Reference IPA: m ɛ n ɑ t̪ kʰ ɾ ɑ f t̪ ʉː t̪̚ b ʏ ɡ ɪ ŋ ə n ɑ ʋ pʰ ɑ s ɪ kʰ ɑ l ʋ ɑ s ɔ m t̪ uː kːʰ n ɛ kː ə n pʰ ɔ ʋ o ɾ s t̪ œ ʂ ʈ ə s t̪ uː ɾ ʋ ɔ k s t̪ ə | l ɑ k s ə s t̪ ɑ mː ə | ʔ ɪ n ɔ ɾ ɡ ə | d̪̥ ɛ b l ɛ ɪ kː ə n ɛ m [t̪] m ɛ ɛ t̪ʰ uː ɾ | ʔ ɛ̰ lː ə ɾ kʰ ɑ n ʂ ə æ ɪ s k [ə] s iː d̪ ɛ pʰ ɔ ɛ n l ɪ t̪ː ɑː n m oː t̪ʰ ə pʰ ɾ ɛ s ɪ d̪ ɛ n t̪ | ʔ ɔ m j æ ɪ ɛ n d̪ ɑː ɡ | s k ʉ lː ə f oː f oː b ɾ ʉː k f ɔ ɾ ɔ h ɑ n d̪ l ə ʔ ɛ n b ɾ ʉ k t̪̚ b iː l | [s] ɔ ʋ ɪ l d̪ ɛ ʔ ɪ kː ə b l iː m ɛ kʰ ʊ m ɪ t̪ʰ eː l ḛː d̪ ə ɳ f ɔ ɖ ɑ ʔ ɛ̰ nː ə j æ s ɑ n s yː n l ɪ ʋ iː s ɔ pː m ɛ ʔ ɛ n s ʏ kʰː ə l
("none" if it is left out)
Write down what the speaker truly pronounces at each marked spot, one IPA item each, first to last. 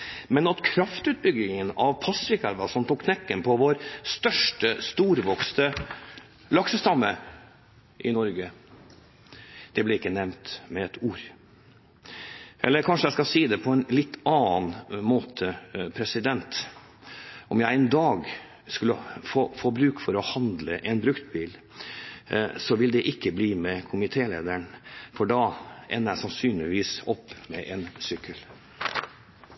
t̪, ɑ, s

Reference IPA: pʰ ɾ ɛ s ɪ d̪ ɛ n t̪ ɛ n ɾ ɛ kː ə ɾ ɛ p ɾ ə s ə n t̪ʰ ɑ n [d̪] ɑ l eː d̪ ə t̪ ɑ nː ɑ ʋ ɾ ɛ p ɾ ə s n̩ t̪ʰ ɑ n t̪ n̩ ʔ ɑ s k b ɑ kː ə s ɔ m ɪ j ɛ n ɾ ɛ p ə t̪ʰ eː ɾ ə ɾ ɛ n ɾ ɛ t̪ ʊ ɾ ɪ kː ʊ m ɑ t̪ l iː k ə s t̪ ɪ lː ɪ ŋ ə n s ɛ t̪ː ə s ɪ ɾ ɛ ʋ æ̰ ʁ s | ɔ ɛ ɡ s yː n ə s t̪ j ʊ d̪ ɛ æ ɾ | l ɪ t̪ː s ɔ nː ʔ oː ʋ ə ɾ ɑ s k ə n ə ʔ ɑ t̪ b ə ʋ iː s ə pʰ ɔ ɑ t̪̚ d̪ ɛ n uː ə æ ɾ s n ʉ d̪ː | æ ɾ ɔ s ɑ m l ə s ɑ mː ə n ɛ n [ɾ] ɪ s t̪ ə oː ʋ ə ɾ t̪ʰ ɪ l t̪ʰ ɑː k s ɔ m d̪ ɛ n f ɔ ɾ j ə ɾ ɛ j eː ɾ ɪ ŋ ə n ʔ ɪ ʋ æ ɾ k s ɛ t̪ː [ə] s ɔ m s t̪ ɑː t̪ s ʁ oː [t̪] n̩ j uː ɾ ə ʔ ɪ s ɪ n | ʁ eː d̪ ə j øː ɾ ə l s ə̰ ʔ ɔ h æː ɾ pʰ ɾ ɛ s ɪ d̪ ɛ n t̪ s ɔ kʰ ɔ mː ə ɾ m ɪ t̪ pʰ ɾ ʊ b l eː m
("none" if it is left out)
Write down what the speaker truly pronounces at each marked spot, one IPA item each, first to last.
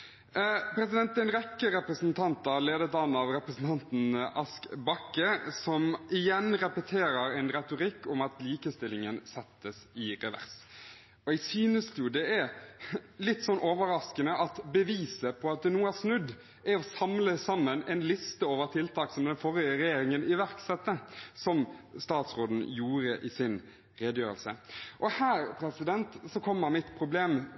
t̪, l, ə, d̪

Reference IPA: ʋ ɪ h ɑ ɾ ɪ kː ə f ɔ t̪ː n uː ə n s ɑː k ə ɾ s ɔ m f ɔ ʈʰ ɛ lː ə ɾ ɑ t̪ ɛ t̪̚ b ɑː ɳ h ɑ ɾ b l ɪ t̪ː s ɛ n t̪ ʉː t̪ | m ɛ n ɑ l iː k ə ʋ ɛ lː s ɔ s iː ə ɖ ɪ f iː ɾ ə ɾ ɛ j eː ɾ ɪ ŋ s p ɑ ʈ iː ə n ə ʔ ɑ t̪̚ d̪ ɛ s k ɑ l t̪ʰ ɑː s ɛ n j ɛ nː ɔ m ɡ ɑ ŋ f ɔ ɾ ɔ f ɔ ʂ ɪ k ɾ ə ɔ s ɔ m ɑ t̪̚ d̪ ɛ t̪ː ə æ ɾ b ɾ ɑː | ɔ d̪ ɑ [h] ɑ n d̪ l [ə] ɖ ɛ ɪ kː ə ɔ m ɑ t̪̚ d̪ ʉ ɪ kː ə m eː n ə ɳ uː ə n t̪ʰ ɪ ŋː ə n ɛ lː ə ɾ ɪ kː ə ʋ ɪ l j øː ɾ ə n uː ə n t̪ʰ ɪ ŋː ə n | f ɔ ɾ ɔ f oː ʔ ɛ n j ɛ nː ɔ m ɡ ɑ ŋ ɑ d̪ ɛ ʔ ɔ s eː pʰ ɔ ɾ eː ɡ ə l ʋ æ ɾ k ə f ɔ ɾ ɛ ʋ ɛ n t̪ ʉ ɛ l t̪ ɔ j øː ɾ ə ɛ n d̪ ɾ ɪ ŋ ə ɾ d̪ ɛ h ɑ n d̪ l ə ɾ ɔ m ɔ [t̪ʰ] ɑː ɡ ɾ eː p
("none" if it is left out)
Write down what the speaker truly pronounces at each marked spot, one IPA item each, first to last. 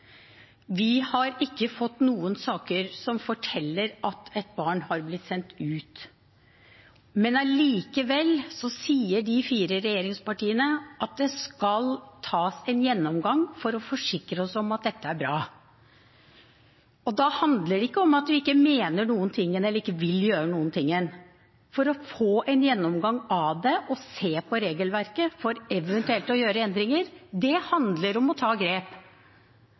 h, ə, t̪ʰ

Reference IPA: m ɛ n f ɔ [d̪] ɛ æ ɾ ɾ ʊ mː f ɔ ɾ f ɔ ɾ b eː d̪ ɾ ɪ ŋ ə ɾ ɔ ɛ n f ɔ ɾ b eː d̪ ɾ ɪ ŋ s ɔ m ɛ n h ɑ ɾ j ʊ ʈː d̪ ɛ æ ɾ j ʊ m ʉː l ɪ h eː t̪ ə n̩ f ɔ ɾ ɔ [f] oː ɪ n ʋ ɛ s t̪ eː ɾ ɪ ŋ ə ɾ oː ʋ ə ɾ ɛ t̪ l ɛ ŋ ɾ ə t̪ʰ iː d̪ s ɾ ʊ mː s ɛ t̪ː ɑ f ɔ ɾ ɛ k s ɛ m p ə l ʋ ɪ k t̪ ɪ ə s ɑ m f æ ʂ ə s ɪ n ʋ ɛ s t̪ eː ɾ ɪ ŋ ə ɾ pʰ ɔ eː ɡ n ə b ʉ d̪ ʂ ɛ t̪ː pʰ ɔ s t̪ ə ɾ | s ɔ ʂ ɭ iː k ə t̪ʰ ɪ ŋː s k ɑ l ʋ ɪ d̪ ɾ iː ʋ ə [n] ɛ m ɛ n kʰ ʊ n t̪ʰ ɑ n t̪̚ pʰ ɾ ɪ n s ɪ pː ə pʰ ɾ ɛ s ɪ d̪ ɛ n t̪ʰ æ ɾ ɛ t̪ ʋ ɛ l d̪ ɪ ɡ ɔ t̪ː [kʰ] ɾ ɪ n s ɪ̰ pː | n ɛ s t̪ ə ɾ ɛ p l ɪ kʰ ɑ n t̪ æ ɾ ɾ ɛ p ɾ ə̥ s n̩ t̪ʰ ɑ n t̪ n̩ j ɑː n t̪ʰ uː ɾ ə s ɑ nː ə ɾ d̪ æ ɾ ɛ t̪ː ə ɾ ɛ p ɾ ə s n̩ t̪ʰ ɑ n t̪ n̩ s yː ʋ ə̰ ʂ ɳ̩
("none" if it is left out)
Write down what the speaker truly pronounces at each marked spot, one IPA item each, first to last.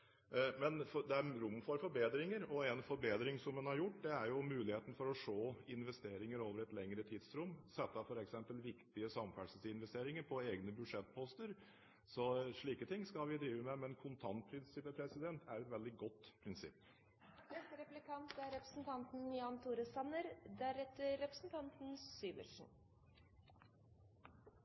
d̪, ʂ, m, pʰ

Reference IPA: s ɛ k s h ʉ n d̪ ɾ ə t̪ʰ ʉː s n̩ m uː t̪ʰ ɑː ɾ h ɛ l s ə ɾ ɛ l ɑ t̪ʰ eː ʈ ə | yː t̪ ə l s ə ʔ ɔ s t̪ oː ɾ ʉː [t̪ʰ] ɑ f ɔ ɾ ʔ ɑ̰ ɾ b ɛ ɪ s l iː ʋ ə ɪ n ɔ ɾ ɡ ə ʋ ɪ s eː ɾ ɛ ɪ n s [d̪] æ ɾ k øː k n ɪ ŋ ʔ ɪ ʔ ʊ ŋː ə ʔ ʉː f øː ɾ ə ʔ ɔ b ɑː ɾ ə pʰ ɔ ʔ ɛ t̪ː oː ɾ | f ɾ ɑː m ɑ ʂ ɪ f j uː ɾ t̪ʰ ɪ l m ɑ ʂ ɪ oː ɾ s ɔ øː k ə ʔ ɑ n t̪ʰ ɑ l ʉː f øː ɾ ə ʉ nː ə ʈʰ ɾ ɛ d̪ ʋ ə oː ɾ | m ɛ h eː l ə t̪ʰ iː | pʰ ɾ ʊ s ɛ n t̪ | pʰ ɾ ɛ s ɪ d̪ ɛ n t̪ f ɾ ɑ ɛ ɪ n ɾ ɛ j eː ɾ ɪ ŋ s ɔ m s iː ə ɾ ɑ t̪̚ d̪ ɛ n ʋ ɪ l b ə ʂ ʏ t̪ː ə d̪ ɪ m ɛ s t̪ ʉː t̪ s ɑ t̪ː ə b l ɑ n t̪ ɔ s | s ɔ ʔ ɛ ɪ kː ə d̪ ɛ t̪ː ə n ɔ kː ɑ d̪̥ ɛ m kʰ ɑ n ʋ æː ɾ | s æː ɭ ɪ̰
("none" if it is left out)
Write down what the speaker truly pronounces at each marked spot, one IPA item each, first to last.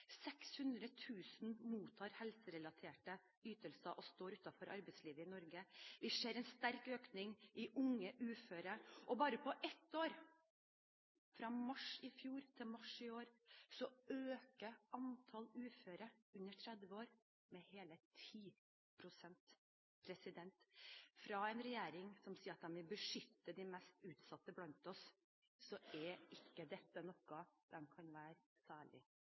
t̪, t̪

